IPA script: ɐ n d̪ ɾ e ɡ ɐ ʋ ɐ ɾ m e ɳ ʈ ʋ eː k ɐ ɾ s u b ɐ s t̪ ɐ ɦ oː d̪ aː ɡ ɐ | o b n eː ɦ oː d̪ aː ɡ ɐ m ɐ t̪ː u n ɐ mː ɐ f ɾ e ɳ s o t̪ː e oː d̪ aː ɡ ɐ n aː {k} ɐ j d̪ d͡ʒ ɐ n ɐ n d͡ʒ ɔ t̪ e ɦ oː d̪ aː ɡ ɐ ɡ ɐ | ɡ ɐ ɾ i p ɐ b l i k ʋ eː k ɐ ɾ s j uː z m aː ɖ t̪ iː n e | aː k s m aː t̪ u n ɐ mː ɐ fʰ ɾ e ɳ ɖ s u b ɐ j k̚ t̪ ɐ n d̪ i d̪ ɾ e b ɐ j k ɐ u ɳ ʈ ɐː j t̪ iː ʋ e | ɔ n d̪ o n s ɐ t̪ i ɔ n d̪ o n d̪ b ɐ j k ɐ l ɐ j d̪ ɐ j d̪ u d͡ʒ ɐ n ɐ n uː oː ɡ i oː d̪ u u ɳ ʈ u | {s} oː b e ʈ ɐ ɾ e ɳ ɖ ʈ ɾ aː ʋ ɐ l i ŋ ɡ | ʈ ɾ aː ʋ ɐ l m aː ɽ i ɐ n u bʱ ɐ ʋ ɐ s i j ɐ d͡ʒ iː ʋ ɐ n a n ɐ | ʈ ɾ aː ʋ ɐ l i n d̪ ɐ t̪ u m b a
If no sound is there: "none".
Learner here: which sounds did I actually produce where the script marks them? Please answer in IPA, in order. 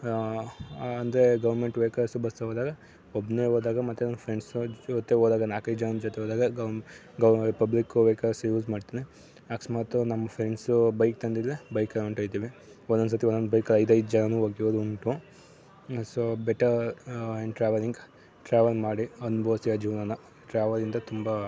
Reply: k, s

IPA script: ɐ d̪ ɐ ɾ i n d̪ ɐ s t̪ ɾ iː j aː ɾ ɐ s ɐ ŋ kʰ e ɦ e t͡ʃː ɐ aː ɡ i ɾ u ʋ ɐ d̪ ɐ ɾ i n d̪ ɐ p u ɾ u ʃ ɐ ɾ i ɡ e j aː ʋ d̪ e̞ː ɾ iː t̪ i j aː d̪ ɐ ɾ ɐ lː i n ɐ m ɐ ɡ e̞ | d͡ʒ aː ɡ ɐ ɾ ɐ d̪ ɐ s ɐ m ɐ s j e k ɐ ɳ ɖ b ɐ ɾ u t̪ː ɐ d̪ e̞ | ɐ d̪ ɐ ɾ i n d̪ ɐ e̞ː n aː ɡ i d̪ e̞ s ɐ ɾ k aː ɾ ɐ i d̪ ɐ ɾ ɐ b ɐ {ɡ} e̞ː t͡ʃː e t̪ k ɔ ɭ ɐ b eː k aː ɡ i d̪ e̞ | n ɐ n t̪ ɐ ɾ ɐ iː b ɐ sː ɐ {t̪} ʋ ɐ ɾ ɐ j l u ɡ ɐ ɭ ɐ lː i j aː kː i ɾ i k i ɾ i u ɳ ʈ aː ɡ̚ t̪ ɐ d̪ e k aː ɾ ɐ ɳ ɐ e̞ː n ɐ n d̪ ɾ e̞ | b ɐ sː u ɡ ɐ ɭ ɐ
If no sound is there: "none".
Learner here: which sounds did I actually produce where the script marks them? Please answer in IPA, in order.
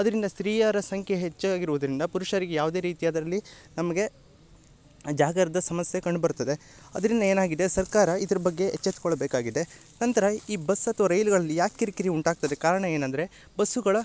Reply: ɡː, t̪

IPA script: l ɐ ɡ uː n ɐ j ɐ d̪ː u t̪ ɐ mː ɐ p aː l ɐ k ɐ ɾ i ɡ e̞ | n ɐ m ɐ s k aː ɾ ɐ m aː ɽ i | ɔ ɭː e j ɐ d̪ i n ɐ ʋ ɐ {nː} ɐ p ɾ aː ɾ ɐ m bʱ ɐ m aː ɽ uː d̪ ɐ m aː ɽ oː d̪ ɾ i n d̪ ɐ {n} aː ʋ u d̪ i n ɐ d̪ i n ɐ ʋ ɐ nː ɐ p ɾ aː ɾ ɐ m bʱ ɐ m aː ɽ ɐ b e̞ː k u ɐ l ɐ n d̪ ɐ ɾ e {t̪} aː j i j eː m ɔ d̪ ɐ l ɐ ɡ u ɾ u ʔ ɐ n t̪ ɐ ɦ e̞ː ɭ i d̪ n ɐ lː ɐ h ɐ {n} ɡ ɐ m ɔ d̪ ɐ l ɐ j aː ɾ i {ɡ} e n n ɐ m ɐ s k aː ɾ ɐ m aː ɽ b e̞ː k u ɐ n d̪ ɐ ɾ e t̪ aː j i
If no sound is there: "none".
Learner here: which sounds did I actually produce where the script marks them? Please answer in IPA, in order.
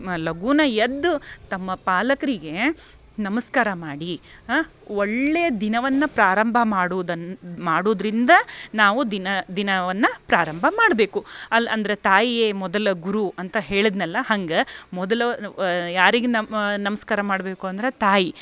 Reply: nː, n, t̪, ŋ, ɡ

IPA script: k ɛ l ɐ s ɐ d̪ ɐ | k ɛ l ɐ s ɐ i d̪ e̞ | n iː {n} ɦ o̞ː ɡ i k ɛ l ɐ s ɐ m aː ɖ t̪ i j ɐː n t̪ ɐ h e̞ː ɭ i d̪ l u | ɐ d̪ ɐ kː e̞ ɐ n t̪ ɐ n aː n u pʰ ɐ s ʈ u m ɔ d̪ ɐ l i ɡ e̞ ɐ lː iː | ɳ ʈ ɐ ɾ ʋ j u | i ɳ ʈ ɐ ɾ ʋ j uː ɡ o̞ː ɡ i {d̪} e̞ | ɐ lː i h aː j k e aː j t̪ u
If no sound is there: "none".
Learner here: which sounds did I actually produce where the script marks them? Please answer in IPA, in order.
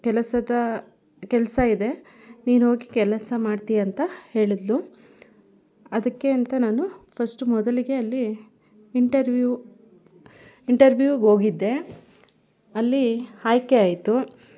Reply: n, d̪ː

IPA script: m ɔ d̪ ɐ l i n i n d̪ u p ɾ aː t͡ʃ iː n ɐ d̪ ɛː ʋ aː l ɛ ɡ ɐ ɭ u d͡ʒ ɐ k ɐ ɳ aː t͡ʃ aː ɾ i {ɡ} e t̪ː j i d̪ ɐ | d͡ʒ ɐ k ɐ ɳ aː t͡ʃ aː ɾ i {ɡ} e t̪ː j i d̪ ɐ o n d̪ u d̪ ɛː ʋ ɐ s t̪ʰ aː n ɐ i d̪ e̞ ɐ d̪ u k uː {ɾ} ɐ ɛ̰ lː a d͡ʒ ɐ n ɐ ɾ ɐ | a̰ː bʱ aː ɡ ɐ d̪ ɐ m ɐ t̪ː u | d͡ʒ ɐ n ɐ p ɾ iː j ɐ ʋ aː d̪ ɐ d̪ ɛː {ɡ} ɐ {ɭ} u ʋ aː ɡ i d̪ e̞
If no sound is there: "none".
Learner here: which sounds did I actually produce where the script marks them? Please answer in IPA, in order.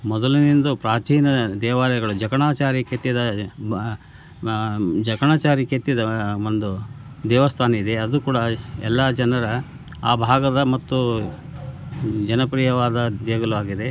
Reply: k, k, ɽ, ɡ, l

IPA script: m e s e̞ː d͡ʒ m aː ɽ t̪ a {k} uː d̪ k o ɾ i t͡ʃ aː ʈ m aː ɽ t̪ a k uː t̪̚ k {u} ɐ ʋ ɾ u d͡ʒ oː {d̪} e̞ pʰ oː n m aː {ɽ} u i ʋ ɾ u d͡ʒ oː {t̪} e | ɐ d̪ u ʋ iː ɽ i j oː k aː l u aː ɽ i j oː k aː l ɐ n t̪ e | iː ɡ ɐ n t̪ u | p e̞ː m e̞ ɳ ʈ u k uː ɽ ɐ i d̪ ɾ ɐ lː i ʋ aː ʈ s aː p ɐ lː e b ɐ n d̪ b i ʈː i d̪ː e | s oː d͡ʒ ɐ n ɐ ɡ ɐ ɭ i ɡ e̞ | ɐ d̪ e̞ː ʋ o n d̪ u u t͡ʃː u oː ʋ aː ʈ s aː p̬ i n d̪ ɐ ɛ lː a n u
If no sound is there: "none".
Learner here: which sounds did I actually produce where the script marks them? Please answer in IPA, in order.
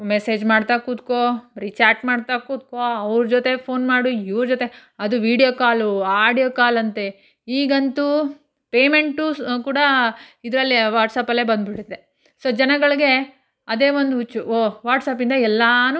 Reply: k, o, t̪, ɽ, t̪

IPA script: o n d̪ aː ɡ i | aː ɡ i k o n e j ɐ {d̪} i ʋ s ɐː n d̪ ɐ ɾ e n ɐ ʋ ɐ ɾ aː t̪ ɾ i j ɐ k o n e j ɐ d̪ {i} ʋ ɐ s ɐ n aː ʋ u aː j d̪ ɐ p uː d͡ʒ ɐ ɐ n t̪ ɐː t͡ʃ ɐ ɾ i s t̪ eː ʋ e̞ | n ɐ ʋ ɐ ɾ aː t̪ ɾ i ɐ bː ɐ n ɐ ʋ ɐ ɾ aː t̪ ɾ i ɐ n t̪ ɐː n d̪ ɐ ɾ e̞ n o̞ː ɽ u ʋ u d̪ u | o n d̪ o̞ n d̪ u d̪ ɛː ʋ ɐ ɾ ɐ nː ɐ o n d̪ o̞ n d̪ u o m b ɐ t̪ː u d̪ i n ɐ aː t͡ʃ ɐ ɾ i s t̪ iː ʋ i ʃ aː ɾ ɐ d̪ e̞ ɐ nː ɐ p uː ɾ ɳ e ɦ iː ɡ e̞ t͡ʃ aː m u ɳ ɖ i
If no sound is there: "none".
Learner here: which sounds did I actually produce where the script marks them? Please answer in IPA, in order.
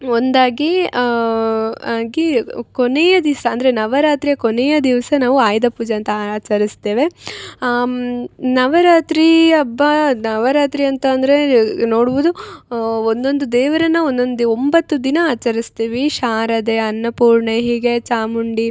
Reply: d̪, i

